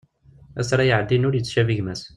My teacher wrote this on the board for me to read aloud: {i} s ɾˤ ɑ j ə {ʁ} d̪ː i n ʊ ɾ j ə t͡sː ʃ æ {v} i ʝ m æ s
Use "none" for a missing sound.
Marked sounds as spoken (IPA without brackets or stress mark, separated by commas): æ, ʕ, v